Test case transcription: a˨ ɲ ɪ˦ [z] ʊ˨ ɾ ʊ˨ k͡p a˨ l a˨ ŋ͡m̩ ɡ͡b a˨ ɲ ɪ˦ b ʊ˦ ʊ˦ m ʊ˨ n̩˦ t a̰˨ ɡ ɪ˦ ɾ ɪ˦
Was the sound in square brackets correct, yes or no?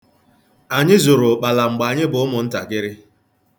yes